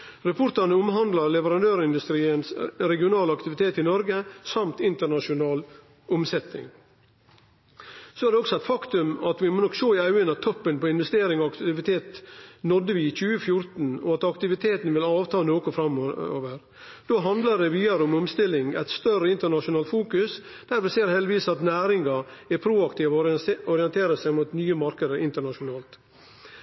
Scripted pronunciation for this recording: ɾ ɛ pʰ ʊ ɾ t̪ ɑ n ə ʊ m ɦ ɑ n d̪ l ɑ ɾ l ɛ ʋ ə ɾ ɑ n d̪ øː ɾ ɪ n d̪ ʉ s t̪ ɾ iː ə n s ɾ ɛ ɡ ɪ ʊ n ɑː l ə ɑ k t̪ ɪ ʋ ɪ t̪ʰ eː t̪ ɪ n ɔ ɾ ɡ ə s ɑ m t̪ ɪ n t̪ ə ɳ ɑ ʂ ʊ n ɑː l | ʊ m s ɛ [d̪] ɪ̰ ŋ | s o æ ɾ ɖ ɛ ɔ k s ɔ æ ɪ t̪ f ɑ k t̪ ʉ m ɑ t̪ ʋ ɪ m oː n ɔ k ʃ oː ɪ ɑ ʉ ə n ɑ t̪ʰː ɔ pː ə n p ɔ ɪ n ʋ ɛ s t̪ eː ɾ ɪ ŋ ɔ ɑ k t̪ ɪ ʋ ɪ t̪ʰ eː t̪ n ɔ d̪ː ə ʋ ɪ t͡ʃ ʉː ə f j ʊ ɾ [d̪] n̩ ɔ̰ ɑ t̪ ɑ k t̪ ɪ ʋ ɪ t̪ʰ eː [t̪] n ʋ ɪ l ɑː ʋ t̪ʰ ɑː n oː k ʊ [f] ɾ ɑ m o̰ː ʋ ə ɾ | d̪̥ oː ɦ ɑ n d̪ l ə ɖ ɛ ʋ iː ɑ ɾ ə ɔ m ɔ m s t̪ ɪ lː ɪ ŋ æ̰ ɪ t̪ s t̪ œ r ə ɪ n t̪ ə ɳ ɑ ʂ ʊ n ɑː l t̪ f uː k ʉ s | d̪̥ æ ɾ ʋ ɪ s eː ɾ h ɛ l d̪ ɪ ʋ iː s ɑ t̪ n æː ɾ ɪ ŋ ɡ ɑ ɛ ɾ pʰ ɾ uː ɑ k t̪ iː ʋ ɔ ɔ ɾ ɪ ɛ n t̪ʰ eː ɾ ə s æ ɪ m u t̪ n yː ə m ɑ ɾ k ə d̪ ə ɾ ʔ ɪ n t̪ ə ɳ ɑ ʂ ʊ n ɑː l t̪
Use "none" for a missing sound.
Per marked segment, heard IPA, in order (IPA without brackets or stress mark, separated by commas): t̪, t̪, t̪, f